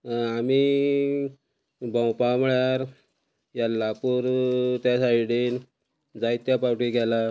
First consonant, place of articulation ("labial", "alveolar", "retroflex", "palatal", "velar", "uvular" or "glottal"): labial